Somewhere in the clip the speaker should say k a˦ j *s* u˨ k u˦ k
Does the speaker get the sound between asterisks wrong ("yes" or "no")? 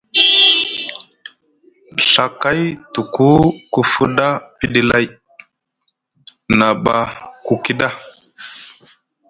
yes